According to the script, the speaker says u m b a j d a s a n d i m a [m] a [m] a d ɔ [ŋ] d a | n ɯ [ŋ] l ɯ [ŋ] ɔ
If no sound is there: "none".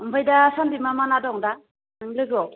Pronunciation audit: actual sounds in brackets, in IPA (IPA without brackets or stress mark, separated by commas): m, n, ŋ, ŋ, ɡ